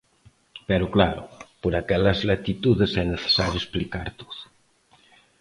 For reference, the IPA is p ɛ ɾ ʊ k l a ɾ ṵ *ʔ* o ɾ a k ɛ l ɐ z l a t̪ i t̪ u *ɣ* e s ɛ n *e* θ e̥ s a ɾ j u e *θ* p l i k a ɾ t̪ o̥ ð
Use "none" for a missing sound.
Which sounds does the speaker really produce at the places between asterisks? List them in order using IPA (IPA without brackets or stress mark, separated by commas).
p, ð, e, s